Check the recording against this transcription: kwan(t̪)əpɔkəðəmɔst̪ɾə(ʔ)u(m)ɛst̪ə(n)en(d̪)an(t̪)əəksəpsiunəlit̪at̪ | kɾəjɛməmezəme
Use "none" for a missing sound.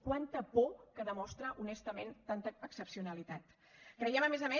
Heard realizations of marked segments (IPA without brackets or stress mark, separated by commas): t̪, ʔ, n, m, t̪, t̪